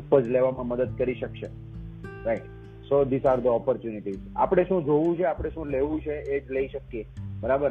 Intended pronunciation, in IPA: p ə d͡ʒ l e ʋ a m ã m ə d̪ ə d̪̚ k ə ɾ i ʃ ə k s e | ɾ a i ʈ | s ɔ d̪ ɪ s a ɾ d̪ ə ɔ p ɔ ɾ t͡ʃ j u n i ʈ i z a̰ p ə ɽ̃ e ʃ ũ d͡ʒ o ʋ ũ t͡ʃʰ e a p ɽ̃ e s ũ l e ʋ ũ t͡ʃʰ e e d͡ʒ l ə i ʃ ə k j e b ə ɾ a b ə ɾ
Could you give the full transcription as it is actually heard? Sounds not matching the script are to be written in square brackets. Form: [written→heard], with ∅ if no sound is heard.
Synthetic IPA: p ə d͡ʒ l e ʋ a m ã m ə d̪ ə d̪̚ k ə ɾ i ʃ ə k [s→ʃ] e | ɾ a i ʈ | s [ɔ→o] d̪ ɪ s a ɾ d̪ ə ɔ p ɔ ɾ t͡ʃ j u n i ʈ i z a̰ p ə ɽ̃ e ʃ ũ d͡ʒ o ʋ ũ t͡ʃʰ e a p ɽ̃ e [s→ʃ] ũ l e ʋ ũ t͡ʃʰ e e d͡ʒ l ə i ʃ ə k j e b ə ɾ a b ə ɾ